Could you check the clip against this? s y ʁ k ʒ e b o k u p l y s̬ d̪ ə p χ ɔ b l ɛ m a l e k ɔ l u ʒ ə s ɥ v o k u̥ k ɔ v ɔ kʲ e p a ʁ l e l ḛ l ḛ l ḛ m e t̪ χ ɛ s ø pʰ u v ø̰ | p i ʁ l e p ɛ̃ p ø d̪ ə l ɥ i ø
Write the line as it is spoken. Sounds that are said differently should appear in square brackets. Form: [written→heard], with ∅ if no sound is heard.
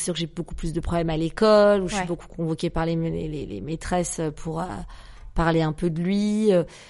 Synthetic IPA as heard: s y ʁ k ʒ e b o k u p l y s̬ d̪ ə p χ ɔ b l ɛ m a l e k ɔ l u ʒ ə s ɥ [v→b] o k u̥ k [ɔ→ɔ̃] v ɔ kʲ e p a ʁ l e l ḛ l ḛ l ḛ m e t̪ χ ɛ s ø pʰ u [v→ʁ] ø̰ | p [i→a] ʁ l e [p→∅] ɛ̃ p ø d̪ ə l ɥ i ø